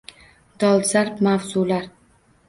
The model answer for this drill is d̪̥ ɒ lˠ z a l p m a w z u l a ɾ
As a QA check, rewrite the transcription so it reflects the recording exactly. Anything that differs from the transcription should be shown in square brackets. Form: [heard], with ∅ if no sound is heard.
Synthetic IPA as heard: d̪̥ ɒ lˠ z a [ɾ] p m a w z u l a ɾ